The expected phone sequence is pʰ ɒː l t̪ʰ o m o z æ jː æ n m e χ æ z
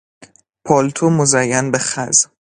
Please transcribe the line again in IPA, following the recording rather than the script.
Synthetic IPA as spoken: pʰ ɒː l t̪ʰ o m o z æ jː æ n b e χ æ z